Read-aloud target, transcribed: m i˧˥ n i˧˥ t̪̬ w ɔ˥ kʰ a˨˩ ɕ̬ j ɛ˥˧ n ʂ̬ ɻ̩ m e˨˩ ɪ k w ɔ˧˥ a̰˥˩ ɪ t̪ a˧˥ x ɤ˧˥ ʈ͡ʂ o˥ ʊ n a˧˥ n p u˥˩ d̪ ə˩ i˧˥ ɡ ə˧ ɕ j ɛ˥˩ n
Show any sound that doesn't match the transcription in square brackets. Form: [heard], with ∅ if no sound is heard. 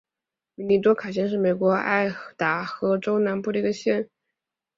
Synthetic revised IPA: m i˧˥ n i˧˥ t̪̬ w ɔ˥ kʰ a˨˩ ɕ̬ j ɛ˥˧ n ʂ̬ ɻ̩ m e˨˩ ɪ k w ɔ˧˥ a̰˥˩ ɪ t̪ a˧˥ x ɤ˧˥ ʈ͡ʂ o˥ ʊ n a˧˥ n p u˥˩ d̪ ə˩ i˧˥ ɡ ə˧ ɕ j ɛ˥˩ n

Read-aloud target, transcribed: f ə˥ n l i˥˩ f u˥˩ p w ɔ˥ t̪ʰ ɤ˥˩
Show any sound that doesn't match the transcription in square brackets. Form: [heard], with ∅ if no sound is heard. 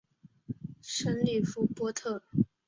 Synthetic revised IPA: [ʂ] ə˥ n l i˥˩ f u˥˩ p w ɔ˥ t̪ʰ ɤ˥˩

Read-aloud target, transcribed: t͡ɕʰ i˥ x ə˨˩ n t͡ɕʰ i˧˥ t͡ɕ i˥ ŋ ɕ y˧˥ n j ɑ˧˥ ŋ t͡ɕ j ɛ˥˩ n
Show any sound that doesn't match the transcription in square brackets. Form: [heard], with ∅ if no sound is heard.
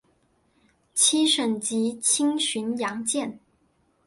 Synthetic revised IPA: t͡ɕʰ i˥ [ʂ] ə˨˩ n [t͡ɕ] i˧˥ [t͡ɕʰ] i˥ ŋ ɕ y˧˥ n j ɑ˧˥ ŋ t͡ɕ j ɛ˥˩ n

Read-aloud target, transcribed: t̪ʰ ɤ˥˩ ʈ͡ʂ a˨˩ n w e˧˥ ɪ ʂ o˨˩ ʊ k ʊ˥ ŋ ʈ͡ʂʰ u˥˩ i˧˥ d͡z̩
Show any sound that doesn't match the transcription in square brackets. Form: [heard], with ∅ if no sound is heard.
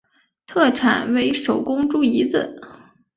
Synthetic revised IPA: t̪ʰ ɤ˥˩ [ʈ͡ʂʰ] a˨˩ n w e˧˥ ɪ ʂ o˨˩ ʊ k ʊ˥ ŋ [ʈ͡ʂ] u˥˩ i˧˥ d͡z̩

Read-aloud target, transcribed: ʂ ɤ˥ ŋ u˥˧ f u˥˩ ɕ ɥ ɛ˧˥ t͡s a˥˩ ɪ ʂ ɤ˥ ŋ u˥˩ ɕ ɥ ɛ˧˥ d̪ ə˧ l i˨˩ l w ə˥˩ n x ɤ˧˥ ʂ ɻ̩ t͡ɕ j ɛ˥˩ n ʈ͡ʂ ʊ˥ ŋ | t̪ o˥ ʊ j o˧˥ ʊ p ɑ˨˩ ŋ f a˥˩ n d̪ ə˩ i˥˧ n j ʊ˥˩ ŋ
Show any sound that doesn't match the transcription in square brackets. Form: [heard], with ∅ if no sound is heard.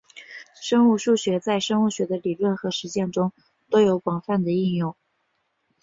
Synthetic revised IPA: ʂ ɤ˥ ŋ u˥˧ [ʂ] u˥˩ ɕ ɥ ɛ˧˥ t͡s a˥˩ ɪ ʂ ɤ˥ ŋ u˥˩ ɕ ɥ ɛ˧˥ d̪ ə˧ l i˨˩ l w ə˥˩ n x ɤ˧˥ ʂ ɻ̩ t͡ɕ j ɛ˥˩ n ʈ͡ʂ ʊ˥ ŋ | t̪ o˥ ʊ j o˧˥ ʊ p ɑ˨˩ ŋ f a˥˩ n d̪ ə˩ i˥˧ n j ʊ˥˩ ŋ

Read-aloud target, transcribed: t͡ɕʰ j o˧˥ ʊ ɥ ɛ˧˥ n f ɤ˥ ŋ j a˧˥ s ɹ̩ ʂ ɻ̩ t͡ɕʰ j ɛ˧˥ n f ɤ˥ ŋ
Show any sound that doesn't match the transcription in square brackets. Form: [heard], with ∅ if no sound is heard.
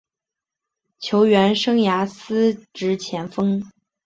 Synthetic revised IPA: t͡ɕʰ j o˧˥ ʊ ɥ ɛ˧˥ n [ʂ] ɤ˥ ŋ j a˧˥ s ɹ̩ [ʈ͡ʂ] ɻ̩ t͡ɕʰ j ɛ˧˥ n f ɤ˥ ŋ

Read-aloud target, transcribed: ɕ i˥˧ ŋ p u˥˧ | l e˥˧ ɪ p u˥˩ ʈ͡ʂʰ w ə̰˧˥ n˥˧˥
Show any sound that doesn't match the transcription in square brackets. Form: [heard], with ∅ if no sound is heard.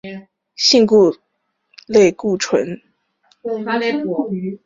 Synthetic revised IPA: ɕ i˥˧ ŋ [k] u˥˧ | l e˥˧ ɪ [k] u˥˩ ʈ͡ʂʰ w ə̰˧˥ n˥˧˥

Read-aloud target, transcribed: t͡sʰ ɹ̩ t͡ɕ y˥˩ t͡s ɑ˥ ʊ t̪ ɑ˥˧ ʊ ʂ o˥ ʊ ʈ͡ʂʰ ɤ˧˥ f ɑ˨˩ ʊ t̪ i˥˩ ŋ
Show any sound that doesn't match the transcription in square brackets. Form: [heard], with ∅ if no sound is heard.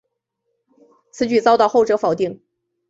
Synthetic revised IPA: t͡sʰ ɹ̩ t͡ɕ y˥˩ t͡s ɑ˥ ʊ t̪ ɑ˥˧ ʊ [x] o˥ ʊ [ʈ͡ʂ] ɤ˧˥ f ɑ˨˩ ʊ t̪ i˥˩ ŋ

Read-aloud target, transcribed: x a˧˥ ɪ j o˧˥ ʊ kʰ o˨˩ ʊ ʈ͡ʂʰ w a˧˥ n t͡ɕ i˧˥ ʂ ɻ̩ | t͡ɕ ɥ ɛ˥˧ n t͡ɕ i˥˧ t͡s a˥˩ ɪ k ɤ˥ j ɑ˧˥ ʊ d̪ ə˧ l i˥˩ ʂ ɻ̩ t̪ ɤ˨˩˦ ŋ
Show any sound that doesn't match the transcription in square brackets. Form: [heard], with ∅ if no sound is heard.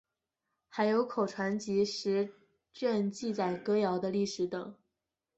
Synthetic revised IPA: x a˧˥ ɪ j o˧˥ ʊ kʰ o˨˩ ʊ ʈ͡ʂʰ w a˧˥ n t͡ɕ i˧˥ ʂ ɻ̩ | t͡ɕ ɥ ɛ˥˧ n t͡ɕ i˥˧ t͡s [a˨˩] ɪ k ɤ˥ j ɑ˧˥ ʊ d̪ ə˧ l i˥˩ ʂ ɻ̩ t̪ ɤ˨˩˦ ŋ

